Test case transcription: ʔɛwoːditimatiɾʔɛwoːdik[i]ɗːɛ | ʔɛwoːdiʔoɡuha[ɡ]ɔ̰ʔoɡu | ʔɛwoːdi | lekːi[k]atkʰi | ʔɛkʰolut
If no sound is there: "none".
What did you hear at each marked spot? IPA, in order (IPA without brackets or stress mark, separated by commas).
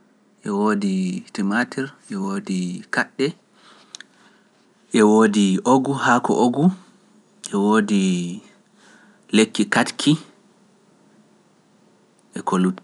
a, k, k